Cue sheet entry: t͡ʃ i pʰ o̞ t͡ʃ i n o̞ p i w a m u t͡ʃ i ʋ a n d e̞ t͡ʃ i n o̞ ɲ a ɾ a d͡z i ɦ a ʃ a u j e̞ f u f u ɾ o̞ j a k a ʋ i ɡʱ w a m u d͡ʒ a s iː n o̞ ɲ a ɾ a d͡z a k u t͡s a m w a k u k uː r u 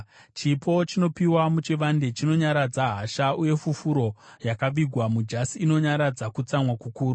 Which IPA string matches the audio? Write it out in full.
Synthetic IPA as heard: t͡ʃ i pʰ o̞ t͡ʃ i n o̞ p i w a m u t͡ʃ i ʋ a n d e̞ t͡ʃ i n o̞ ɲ a ɾ a d͡z a ɦ a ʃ a u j e̞ f u f u ɾ o̞ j a k a ʋ i ɡʱ w a m u d͡ʒ a s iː n o̞ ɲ a ɾ a d͡z a k u t͡s a m w a k u k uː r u